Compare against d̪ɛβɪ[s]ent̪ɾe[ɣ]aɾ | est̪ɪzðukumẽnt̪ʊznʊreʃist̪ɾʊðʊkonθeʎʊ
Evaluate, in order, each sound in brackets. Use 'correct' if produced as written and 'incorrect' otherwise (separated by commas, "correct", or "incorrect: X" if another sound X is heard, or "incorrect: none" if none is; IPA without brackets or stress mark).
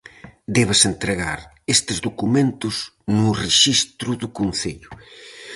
correct, correct